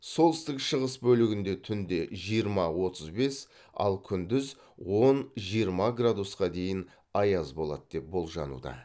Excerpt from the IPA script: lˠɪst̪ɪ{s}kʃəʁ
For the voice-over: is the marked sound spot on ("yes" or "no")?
no